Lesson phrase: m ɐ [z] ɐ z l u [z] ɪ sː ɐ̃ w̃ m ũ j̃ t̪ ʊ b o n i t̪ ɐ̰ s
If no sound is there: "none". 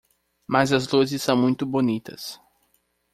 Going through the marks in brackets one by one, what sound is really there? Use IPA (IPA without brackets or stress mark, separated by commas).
z, z